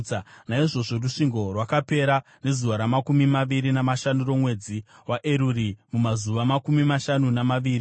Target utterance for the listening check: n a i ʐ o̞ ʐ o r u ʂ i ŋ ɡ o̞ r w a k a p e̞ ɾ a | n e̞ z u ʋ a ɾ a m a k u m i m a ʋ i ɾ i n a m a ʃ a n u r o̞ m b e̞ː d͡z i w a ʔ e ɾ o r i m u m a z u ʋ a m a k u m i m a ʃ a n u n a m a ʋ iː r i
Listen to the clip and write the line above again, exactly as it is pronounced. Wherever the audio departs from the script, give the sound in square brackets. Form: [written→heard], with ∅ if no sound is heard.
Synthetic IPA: n a i ʐ o̞ ʐ o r u ʂ i ŋ ɡ o̞ r w a k a p e̞ ɾ a | n e̞ z u ʋ a ɾ a m a k u m i m a ʋ i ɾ i n a m a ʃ a n u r o̞ m [b→w] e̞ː d͡z i w a ʔ e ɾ [o→u] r i m u m a z u ʋ a m a k u m i m a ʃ a n u n a m a ʋ iː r i